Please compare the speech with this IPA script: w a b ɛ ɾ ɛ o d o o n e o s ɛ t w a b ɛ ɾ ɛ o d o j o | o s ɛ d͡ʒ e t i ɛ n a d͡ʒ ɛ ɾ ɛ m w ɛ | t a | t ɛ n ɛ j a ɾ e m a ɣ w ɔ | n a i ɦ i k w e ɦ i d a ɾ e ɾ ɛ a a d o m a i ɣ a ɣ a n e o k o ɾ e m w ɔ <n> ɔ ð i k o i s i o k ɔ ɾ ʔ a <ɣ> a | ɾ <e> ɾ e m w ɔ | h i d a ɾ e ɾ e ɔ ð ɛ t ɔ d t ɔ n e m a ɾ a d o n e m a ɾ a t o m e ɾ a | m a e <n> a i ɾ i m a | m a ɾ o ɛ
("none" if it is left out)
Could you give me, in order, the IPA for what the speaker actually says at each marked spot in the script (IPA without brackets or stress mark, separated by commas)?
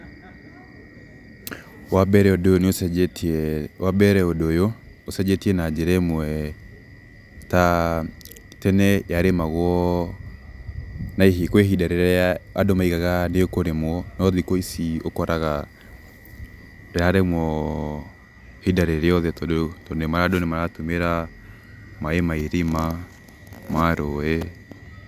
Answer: n, ɣ, a, m